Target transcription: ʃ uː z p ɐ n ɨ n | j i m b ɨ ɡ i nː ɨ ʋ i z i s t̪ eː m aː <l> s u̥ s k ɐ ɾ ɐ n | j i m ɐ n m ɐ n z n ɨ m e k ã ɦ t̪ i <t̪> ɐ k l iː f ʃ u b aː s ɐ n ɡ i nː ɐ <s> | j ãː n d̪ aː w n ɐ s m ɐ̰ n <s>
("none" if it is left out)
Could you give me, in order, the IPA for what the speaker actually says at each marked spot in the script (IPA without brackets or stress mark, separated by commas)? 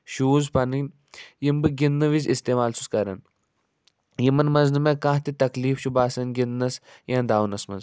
l, t̪, s, z